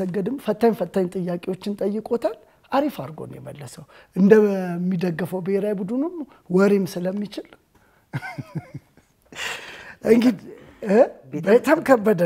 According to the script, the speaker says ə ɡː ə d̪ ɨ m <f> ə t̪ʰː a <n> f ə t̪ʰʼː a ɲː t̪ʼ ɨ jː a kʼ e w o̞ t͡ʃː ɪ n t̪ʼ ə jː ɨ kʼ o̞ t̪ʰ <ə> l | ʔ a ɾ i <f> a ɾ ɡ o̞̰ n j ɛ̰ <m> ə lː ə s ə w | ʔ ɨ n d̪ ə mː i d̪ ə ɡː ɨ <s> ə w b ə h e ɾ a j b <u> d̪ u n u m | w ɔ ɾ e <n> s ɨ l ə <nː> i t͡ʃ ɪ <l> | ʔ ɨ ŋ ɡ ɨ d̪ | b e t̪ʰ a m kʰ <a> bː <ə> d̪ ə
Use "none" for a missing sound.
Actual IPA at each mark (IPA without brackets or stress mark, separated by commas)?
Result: f, ɲ, a, f, m, f, u, m, mː, l, ə, ə